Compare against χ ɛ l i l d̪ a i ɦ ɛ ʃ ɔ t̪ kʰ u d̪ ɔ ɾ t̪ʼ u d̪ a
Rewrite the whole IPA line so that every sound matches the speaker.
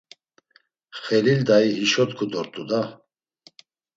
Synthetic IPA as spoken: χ ɛ l i l d̪ a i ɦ i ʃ ɔ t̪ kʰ u d̪ ɔ ɾ t̪ʼ u d̪ a